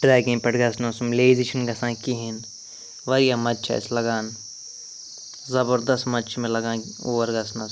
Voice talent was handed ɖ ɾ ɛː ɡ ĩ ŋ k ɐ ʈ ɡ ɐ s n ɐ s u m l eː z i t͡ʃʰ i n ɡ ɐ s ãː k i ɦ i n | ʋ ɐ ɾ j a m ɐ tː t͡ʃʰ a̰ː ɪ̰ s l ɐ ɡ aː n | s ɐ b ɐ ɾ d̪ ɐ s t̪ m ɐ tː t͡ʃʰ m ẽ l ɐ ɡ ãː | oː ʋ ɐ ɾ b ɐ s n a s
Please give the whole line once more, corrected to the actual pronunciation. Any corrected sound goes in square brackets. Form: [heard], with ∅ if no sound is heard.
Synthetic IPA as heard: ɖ ɾ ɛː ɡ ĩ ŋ [p] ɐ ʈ ɡ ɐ s n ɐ s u m l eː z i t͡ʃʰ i n ɡ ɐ s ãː k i ɦ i n | ʋ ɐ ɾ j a m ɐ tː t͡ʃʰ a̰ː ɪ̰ s l ɐ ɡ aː n | [z] ɐ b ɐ ɾ d̪ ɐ s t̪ m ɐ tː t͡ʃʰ m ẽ l ɐ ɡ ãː | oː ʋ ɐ ɾ [ɡ] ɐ s n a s